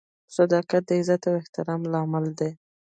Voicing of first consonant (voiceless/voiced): voiceless